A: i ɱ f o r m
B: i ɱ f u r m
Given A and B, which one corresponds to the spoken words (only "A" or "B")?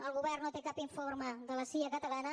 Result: A